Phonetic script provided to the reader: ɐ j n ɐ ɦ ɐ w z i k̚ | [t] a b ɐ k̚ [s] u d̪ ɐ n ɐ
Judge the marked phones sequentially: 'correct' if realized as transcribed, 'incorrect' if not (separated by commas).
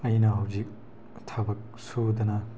incorrect, correct